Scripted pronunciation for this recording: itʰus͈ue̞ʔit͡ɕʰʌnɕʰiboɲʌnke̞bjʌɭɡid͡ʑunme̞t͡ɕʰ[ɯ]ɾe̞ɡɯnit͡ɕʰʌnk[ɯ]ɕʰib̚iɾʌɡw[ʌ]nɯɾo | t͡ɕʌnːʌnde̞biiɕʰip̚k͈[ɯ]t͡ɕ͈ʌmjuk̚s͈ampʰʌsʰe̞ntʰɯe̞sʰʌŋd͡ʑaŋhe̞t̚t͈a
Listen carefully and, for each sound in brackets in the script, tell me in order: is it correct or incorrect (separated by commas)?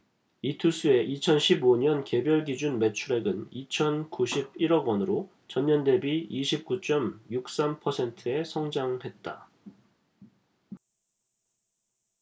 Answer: incorrect, incorrect, correct, incorrect